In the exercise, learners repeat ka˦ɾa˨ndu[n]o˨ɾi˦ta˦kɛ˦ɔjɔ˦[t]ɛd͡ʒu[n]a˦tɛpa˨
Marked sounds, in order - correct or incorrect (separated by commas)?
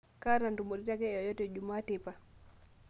incorrect, correct, incorrect